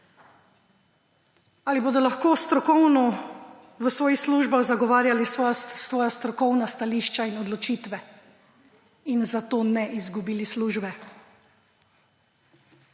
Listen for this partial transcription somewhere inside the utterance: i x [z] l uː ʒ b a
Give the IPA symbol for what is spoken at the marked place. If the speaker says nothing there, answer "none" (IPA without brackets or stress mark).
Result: s